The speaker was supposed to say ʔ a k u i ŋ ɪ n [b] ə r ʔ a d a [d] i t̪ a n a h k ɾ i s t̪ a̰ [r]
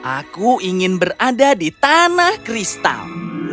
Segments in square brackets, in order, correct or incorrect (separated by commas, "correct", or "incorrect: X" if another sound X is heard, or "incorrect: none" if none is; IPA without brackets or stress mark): correct, correct, incorrect: l